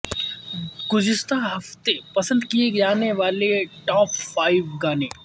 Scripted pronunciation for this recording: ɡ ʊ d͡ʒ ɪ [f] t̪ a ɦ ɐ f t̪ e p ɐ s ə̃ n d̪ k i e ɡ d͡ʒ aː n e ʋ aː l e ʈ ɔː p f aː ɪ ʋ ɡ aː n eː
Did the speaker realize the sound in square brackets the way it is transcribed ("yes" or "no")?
no